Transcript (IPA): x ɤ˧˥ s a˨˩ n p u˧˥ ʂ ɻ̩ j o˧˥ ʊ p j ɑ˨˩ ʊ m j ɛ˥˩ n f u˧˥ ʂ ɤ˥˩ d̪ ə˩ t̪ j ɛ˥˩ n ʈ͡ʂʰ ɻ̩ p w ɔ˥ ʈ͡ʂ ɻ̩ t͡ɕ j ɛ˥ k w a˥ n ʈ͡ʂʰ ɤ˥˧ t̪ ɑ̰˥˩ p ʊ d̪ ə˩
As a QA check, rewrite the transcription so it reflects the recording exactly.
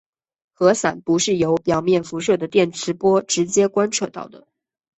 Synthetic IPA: x ɤ˧˥ s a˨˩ n p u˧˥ ʂ ɻ̩ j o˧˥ ʊ p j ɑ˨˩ ʊ m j ɛ˥˩ n f u˧˥ ʂ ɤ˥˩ d̪ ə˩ t̪ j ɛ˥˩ n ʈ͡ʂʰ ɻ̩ p w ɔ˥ ʈ͡ʂ ɻ̩ t͡ɕ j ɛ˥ k w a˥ n ʈ͡ʂʰ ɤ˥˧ t̪ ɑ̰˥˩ ʊ d̪ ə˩